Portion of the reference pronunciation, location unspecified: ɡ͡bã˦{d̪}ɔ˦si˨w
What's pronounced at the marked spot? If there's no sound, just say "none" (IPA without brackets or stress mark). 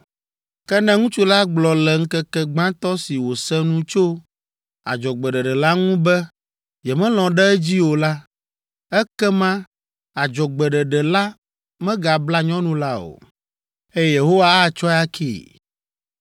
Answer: t̪